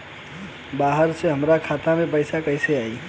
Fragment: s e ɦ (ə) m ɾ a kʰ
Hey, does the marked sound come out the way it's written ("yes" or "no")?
yes